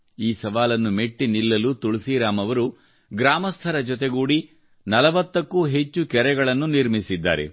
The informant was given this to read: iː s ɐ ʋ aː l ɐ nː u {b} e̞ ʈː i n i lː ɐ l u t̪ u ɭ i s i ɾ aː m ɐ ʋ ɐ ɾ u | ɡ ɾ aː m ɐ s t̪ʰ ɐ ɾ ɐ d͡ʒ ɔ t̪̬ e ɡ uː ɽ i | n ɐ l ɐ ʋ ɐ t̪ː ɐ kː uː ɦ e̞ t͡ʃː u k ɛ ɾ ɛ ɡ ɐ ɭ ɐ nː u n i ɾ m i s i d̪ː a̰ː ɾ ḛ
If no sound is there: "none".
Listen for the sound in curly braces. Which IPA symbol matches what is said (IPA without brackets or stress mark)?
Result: m